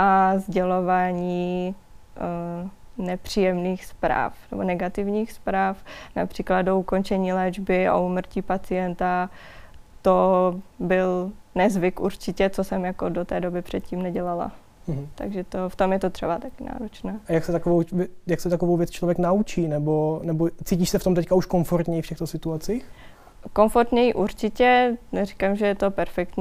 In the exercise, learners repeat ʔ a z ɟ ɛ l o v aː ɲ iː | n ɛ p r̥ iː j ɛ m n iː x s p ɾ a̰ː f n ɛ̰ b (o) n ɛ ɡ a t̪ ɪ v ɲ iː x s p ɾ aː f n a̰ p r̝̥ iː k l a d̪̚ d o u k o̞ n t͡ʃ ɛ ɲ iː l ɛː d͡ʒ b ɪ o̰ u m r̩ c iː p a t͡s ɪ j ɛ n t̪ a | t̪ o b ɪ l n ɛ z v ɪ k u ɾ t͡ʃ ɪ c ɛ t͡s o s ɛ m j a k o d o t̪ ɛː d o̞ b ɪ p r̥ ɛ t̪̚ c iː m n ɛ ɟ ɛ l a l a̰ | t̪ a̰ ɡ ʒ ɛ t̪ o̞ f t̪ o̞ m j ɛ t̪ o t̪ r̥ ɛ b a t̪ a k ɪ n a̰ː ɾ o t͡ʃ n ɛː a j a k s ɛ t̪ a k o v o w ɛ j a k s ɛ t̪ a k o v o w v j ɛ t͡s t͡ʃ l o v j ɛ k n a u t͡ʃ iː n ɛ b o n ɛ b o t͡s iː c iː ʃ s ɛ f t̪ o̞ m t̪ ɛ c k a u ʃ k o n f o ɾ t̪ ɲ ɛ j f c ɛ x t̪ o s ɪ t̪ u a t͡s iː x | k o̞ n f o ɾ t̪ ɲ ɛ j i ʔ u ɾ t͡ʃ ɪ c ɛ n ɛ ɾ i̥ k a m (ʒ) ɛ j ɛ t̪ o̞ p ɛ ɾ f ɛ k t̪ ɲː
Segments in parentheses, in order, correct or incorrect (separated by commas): correct, correct